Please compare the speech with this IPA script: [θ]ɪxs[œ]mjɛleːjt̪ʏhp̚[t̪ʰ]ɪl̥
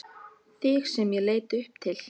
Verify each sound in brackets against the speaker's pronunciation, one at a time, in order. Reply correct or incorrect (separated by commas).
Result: correct, incorrect, correct